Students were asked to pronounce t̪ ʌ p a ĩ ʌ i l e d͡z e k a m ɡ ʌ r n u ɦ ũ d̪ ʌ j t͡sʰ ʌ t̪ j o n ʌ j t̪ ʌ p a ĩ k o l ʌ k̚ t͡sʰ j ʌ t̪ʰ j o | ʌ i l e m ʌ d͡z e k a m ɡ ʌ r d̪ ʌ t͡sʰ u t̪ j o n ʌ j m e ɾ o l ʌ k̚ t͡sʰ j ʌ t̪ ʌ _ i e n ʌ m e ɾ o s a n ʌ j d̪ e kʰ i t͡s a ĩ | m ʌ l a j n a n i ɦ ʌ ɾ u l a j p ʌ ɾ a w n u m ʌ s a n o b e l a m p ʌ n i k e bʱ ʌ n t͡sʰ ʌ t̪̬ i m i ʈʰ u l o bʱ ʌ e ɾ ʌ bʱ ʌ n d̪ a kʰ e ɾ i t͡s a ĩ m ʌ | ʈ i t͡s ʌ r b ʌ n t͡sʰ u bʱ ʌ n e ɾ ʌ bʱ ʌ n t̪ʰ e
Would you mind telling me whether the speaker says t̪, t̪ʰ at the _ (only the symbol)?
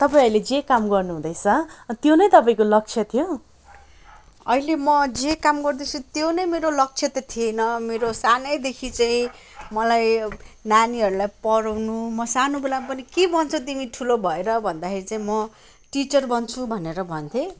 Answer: t̪ʰ